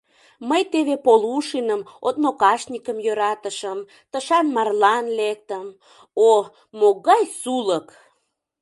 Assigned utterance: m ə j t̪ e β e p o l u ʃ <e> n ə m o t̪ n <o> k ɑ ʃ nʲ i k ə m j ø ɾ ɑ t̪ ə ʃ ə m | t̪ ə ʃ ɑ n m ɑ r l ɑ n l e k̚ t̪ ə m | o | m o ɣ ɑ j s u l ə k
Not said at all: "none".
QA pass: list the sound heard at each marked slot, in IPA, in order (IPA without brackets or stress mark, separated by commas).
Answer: i, o